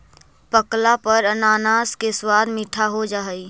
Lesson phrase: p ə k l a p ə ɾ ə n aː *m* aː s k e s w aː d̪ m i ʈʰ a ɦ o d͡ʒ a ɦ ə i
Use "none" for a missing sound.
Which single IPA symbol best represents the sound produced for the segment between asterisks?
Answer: n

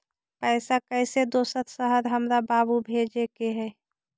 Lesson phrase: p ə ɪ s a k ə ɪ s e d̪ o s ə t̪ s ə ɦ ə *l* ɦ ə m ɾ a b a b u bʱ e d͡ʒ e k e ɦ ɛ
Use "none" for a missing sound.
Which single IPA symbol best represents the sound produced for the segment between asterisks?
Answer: ɾ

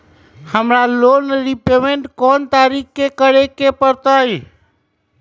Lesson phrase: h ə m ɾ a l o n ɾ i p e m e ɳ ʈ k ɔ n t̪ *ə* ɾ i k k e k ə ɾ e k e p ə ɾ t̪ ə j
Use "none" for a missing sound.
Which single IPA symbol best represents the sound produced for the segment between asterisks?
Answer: a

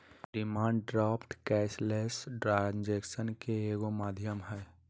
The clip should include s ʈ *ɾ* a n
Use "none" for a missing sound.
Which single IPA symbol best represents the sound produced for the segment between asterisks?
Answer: ɾ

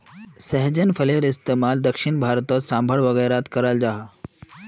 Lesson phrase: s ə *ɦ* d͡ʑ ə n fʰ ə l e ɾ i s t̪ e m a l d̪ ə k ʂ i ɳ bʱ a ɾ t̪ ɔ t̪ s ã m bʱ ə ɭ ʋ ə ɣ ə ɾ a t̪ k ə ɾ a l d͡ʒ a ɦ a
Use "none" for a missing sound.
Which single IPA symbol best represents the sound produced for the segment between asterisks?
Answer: ɦ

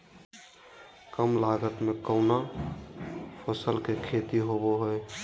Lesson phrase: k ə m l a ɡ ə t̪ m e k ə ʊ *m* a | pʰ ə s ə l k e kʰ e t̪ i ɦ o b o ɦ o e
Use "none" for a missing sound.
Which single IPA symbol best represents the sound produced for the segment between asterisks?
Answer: n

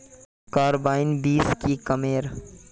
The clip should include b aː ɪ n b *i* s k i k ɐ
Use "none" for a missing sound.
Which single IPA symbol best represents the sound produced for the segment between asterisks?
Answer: iː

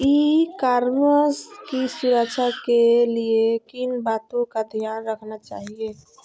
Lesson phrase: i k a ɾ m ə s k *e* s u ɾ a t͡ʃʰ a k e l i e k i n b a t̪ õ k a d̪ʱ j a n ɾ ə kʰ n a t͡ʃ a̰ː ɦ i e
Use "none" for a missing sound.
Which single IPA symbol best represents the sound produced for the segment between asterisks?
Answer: i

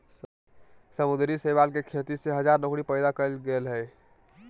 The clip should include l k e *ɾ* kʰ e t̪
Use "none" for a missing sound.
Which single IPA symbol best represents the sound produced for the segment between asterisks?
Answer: none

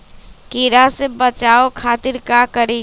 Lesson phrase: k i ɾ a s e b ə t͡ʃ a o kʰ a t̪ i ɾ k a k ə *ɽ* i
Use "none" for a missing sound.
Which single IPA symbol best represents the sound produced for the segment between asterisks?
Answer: ɾ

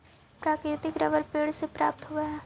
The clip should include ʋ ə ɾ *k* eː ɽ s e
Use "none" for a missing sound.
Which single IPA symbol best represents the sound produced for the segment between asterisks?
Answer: p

